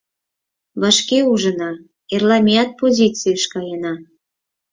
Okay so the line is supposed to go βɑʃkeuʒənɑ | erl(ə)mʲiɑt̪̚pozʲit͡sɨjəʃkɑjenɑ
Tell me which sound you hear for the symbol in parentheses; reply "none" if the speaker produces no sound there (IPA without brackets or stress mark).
ɑ